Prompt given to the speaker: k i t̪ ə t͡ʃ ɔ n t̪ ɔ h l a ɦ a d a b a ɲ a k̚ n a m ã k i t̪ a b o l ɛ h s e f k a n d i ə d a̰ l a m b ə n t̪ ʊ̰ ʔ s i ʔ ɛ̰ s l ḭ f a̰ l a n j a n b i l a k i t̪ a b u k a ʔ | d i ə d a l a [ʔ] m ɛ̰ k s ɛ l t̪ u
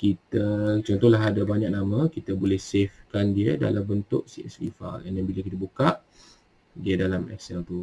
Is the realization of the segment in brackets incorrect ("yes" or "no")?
yes